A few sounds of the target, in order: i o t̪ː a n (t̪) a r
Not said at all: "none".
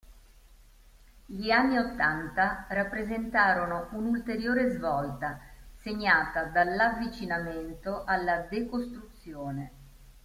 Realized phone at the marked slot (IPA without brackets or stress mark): t̪